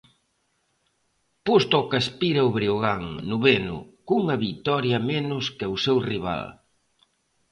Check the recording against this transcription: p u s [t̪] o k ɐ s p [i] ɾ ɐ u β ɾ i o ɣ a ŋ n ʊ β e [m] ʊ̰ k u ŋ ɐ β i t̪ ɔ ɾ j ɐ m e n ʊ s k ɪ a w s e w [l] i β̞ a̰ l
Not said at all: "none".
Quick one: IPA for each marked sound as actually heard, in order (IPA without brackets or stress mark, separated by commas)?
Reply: t̪, i, n, r